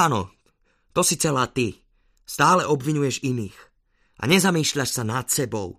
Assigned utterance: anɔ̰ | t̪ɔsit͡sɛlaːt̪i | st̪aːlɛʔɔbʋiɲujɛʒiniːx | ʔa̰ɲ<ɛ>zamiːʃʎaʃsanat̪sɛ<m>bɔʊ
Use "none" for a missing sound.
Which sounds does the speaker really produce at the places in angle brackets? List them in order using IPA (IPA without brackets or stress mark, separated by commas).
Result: ɛ, none